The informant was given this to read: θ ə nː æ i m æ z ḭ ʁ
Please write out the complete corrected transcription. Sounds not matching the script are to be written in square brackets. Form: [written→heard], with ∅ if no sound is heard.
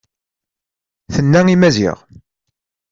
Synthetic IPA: θ ə nː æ i m æ z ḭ ʁ